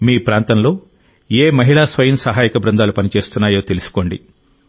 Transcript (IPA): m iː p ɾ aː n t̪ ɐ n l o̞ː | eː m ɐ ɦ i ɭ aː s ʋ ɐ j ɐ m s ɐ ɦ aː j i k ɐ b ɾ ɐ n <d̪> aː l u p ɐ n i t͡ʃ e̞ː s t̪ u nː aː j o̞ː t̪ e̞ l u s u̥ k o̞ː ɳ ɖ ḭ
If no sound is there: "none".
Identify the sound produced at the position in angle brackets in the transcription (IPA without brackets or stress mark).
d̪